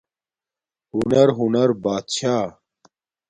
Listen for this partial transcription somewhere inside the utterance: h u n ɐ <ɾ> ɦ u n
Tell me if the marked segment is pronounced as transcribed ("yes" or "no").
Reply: yes